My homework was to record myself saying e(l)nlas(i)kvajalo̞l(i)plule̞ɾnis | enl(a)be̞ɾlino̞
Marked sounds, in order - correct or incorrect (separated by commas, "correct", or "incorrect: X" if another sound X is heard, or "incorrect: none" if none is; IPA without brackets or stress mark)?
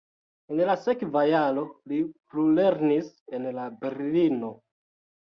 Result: incorrect: none, incorrect: e, correct, correct